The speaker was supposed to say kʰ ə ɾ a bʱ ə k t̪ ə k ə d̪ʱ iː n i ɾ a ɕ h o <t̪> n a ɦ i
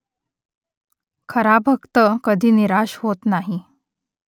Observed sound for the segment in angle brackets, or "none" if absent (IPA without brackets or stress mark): t̪